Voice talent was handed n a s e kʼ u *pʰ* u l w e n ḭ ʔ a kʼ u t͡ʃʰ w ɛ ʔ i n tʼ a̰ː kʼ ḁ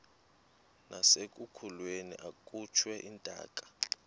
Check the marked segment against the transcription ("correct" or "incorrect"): incorrect